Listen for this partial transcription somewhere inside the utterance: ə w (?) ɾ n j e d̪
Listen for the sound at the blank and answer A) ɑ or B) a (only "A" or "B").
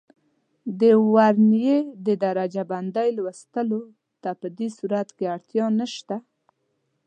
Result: B